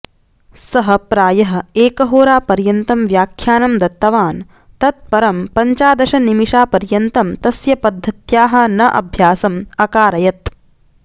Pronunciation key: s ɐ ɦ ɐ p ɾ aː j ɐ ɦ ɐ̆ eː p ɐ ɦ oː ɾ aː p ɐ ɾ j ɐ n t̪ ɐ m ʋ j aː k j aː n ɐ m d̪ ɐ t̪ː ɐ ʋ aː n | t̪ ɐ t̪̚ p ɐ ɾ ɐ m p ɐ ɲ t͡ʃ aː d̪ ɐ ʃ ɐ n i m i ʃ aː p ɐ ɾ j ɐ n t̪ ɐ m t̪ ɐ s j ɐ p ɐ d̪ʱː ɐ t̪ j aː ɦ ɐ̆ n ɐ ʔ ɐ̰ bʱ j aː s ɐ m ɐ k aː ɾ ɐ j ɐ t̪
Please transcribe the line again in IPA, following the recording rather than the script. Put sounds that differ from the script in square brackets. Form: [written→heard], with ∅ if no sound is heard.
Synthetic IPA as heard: s ɐ ɦ ɐ p ɾ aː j ɐ ɦ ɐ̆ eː [p→k] ɐ ɦ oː ɾ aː p ɐ ɾ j ɐ n t̪ ɐ m ʋ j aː [k→kʰ] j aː n ɐ m d̪ ɐ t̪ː ɐ ʋ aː n | t̪ ɐ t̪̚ p ɐ ɾ ɐ m p ɐ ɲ t͡ʃ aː d̪ ɐ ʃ ɐ n i m i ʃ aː p ɐ ɾ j ɐ n t̪ ɐ m t̪ ɐ s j ɐ p ɐ d̪ʱː ɐ t̪ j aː ɦ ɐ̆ n ɐ ʔ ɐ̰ bʱ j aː s ɐ m ɐ k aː ɾ ɐ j ɐ t̪